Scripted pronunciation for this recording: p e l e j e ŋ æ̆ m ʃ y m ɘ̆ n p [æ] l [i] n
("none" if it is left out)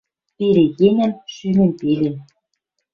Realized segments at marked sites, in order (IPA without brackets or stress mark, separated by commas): e, e